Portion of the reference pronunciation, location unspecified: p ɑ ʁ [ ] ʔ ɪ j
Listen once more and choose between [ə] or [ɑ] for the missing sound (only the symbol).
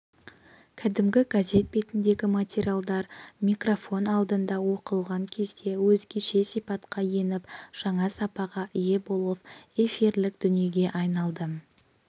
ɑ